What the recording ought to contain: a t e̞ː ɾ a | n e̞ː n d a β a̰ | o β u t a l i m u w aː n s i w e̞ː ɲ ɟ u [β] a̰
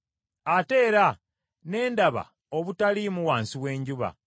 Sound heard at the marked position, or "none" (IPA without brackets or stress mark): β